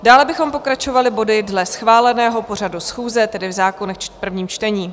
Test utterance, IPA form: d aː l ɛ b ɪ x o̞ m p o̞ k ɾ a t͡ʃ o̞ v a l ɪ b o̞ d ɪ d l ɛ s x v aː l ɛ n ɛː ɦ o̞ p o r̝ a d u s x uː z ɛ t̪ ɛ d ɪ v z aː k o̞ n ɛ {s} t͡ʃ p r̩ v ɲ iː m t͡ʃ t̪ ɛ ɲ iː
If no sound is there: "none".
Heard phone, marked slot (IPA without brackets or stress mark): x